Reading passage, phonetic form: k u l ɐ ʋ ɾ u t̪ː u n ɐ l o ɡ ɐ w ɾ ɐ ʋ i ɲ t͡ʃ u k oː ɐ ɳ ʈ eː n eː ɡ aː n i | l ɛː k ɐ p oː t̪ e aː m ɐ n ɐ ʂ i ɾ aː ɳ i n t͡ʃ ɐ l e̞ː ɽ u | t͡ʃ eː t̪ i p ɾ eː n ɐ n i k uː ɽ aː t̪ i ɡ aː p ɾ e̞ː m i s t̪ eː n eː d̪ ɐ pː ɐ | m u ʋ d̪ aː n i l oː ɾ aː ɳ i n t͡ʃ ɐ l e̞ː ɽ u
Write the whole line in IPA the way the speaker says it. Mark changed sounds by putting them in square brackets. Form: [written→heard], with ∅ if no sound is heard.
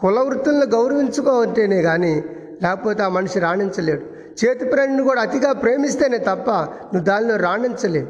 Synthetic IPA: k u l ɐ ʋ ɾ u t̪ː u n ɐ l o ɡ ɐ w ɾ ɐ ʋ i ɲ t͡ʃ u k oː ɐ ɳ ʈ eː n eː ɡ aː n i | l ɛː k ɐ p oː t̪ e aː m ɐ n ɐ ʂ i ɾ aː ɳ i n t͡ʃ ɐ l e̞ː ɽ u | t͡ʃ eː t̪ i p ɾ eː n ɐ n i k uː ɽ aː t̪ i ɡ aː p ɾ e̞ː m i s t̪ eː n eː [d̪→t̪] ɐ pː ɐ | [m→n] u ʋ d̪ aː n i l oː ɾ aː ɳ i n t͡ʃ ɐ l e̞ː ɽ u